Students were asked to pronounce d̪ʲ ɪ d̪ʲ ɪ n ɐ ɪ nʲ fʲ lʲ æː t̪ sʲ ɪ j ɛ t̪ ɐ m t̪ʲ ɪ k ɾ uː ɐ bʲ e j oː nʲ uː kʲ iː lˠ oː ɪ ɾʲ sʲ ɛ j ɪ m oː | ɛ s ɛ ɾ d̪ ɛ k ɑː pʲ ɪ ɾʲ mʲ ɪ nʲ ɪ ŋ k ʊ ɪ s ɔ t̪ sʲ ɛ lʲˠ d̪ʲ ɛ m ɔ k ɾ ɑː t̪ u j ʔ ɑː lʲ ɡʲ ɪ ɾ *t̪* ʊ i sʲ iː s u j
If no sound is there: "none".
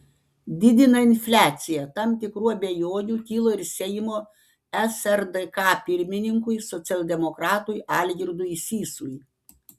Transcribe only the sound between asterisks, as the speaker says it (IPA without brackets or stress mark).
d̪